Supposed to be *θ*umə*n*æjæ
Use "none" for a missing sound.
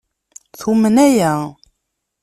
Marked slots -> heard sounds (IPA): θ, n

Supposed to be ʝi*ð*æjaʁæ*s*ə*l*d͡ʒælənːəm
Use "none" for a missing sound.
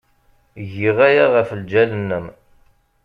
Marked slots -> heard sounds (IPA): ʁ, f, l

